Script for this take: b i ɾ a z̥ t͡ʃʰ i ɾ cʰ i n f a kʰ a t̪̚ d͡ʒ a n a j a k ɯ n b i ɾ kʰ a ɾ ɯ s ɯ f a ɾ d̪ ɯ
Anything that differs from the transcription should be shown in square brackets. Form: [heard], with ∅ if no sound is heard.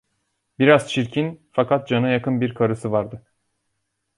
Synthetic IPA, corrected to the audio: b i ɾ a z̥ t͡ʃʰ i ɾ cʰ i n f a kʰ a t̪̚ d͡ʒ a n a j a k ɯ n b i ɾ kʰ a ɾ ɯ s ɯ [v] a ɾ d̪ ɯ